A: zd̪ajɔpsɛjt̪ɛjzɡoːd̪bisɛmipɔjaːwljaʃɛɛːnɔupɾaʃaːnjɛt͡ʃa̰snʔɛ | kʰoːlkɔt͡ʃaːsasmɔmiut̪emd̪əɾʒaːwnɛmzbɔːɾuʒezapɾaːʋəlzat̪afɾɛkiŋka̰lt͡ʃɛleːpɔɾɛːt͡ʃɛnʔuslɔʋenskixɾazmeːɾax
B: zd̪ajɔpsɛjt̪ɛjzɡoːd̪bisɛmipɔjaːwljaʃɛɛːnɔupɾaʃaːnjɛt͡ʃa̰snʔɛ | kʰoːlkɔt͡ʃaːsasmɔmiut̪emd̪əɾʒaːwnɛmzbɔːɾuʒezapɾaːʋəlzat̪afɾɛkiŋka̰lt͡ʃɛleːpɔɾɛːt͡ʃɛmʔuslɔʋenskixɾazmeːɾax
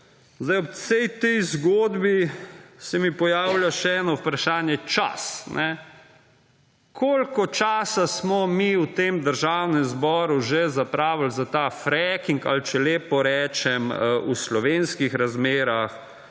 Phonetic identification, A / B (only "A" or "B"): B